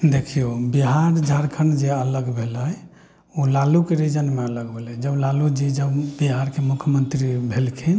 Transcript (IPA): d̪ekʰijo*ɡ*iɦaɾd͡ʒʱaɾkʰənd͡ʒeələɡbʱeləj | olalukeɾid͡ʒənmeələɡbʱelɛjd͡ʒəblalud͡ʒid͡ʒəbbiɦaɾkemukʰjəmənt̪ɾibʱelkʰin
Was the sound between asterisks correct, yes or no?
no